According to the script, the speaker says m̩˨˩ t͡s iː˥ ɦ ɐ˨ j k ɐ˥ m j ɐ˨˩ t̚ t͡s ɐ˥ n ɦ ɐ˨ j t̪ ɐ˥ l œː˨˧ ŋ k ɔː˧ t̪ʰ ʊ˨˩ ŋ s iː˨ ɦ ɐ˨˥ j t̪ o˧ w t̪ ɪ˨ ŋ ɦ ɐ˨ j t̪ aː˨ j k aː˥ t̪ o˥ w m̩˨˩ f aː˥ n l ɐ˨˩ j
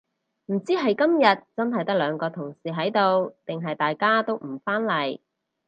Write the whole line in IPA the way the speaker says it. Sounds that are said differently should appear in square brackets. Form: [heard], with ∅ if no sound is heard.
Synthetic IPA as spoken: m̩˨˩ t͡s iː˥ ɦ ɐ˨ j k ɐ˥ m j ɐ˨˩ t̚ t͡s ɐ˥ n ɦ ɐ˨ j t̪ ɐ˥ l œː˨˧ ŋ k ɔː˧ t̪ʰ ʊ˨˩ ŋ s iː˨ ɦ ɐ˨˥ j t̪ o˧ w t̪ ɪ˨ ŋ ɦ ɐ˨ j t̪ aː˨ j k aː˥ t̪ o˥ w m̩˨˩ f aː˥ n l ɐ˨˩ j